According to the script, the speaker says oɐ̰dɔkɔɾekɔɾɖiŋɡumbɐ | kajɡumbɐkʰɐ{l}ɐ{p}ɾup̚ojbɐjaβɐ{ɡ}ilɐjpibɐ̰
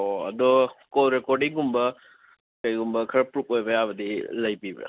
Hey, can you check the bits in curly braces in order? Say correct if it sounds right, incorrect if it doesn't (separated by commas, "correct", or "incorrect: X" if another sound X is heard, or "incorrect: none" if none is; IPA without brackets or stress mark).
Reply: incorrect: ɾ, correct, incorrect: d